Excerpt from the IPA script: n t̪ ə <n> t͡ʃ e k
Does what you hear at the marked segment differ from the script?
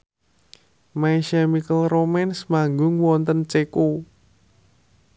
no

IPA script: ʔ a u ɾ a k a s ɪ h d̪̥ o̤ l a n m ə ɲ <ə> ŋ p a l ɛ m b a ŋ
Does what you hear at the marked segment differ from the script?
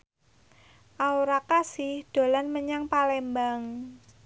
yes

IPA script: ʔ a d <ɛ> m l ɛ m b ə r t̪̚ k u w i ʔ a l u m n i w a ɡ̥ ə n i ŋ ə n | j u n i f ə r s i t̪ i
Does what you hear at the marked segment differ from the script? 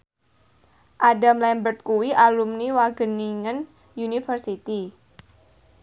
yes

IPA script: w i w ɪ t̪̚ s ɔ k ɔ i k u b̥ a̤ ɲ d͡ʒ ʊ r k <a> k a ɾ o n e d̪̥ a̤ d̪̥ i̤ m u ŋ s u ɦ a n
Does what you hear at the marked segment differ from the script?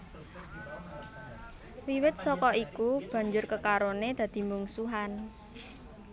yes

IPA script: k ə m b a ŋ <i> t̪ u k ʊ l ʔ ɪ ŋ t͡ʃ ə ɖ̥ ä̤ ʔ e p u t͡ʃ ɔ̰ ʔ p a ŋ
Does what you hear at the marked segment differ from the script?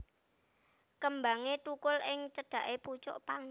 yes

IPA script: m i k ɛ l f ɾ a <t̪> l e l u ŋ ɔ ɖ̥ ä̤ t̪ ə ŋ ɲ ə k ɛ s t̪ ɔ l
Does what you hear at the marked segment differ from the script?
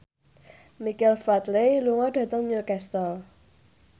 no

